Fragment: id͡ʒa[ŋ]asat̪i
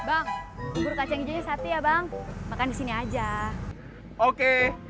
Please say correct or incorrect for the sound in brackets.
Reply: incorrect